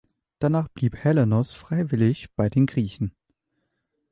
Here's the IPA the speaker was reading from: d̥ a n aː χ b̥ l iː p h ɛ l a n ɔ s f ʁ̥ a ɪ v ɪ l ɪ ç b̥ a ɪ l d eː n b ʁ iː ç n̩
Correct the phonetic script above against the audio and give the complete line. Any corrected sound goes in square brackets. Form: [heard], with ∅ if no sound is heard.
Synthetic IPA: d̥ a n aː χ b̥ l iː p h ɛ l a n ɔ s f ʁ̥ a ɪ v ɪ l ɪ ç b̥ a ɪ [∅] d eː n [ɡ] ʁ iː ç n̩